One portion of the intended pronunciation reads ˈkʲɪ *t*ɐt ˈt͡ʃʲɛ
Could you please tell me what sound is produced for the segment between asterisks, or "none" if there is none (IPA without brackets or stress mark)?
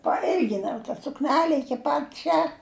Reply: p